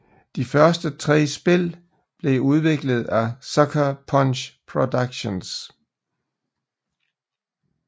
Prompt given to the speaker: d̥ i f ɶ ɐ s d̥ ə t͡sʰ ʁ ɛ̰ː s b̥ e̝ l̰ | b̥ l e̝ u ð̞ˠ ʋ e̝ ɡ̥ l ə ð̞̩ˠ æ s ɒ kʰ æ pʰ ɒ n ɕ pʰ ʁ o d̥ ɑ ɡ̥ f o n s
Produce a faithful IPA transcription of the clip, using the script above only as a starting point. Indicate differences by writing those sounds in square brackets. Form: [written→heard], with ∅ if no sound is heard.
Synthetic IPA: d̥ i f ɶ ɐ s d̥ ə t͡sʰ ʁ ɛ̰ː s b̥ e̝ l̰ | b̥ l e̝ u ð̞ˠ ʋ e̝ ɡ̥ l ə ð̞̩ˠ æ s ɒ kʰ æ pʰ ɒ n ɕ pʰ ʁ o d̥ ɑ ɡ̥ [f→ɕ] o n s